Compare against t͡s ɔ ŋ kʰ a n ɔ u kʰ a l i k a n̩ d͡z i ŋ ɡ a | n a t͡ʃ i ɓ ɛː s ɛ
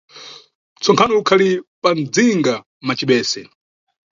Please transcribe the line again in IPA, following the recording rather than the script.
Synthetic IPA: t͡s ɔ ŋ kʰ a n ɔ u kʰ a l i p a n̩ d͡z i ŋ ɡ a | m a t͡ʃ i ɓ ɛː s ɛ

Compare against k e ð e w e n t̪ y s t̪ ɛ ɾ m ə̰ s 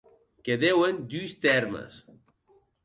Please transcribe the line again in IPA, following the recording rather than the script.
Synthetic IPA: k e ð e w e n d̪ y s t̪ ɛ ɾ m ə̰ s

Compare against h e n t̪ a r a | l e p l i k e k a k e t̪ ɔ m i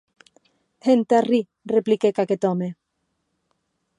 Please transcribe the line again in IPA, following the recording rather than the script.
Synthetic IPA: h e n t̪ a r i | r e p l i k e k a k e t̪ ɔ m e

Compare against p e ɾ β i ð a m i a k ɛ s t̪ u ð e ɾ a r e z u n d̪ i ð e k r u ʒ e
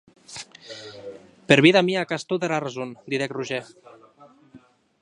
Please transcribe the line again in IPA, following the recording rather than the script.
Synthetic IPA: p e ɾ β i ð a m i a k a s t̪ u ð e ɾ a r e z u n d̪ i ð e k r u ʒ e

